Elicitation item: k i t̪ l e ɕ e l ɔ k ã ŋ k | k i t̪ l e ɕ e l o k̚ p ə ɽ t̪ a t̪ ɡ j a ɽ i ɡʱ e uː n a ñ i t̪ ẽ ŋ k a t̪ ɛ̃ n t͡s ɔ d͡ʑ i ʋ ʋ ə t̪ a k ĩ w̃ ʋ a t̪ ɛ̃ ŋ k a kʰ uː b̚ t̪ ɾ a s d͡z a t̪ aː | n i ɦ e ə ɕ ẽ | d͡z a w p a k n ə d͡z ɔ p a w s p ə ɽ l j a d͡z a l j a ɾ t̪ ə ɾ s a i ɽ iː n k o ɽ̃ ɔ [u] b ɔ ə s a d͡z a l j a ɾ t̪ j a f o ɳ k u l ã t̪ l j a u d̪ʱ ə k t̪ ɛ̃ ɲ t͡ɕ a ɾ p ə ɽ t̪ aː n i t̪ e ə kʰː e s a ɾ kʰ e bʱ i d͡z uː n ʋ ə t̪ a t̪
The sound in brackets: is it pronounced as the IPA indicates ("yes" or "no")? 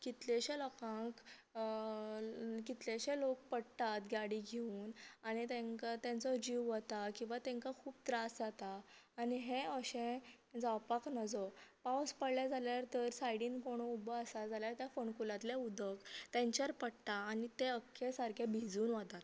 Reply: yes